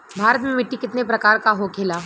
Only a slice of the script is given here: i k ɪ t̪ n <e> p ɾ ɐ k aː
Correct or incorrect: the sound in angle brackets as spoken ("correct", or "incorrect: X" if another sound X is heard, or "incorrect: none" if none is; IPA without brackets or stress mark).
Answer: correct